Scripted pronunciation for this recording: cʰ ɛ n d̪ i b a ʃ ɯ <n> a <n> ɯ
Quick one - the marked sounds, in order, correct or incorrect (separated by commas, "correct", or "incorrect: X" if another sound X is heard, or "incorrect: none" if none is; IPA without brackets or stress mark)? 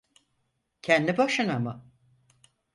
correct, incorrect: m